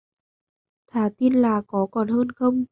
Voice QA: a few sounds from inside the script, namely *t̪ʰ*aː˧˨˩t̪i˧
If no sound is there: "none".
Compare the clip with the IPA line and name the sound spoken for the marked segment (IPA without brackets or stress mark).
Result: t̪ʰ